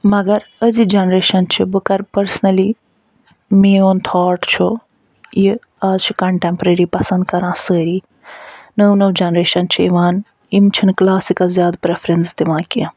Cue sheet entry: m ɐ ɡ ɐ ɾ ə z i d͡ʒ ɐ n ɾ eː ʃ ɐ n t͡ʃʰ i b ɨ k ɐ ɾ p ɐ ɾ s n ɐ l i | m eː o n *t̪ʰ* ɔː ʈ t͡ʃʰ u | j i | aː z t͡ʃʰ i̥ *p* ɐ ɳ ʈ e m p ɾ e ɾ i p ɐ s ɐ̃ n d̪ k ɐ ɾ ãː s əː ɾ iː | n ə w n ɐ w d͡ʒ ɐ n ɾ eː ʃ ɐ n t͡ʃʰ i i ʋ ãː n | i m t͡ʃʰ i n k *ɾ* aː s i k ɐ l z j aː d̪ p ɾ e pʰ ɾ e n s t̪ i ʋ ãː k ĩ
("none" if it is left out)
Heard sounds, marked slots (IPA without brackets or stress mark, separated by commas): t̪ʰ, k, l